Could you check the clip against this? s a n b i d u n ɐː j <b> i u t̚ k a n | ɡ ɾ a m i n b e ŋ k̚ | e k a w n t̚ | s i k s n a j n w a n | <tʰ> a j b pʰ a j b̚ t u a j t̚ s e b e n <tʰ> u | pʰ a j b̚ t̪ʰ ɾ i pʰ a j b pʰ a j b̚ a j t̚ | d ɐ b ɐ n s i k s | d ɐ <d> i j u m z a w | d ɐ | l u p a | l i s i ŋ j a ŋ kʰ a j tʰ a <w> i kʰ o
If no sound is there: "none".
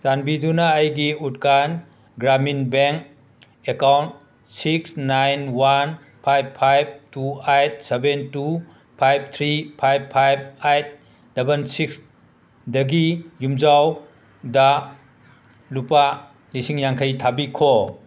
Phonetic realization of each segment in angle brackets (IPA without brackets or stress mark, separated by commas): ɡ, pʰ, t, ɡ, b